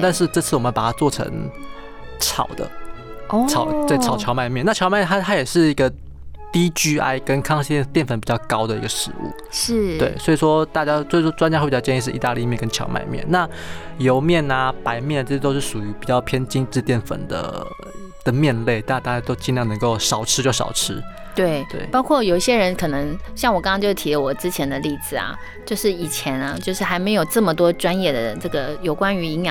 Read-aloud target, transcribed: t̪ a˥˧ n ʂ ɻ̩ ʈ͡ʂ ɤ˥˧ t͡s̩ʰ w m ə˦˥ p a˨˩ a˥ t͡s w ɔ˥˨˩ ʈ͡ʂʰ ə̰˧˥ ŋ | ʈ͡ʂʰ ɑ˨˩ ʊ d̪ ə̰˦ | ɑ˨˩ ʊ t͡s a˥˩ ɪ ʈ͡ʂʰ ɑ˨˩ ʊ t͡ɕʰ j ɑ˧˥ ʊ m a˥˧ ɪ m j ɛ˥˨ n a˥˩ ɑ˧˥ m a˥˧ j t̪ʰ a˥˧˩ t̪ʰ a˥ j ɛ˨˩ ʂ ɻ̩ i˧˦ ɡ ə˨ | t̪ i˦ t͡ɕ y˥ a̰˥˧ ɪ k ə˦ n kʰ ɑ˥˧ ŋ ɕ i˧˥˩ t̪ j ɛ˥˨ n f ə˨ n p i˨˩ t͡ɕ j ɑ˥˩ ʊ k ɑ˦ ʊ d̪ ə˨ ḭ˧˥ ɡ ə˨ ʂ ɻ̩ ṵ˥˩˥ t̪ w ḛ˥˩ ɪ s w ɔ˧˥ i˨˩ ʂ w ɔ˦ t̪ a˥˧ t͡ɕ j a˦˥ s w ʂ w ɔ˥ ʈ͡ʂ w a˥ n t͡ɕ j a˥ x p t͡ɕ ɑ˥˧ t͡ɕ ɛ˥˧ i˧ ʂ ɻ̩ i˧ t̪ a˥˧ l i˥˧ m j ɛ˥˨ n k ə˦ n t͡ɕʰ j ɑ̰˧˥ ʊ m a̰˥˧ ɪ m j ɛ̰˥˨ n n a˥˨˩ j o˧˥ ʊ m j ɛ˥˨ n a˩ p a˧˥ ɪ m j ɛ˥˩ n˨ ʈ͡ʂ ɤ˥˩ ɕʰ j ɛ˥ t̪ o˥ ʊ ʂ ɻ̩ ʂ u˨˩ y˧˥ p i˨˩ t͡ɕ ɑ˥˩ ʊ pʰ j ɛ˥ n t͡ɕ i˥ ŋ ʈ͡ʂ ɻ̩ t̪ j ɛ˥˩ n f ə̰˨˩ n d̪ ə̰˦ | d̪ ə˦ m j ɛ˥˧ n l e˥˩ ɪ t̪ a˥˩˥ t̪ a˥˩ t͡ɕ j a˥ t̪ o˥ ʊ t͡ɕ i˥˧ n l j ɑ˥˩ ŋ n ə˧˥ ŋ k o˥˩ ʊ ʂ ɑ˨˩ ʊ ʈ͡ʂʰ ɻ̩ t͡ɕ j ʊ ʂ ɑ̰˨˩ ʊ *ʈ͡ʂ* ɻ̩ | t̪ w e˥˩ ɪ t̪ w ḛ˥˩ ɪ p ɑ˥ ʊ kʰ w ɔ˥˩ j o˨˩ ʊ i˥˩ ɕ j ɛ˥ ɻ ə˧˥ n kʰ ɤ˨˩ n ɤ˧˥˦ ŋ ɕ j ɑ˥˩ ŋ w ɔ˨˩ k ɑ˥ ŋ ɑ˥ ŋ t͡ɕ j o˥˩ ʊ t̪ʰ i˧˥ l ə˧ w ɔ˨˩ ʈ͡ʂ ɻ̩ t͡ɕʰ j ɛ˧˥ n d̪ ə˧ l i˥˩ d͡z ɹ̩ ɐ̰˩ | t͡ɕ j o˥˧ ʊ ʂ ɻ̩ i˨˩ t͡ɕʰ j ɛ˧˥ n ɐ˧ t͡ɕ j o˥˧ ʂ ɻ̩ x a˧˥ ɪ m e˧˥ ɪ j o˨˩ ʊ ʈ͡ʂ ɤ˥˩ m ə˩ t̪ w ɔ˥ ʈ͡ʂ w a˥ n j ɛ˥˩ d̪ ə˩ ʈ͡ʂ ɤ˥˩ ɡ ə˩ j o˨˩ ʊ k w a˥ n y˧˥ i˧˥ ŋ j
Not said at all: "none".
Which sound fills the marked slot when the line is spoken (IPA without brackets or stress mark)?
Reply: ʈ͡ʂʰ